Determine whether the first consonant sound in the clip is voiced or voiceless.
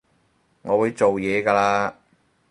voiced